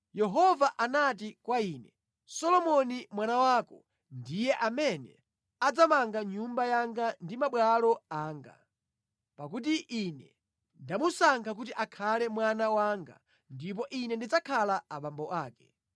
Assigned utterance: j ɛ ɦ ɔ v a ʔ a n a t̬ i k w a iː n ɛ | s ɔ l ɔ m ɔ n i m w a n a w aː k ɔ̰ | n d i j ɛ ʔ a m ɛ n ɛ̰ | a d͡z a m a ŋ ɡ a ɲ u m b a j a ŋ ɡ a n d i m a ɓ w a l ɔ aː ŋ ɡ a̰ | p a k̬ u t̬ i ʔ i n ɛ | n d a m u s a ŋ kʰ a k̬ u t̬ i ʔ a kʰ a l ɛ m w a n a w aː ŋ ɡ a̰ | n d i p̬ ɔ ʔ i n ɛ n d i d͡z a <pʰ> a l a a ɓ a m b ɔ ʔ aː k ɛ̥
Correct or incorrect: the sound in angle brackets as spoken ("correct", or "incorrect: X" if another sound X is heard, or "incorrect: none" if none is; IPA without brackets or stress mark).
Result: incorrect: kʰ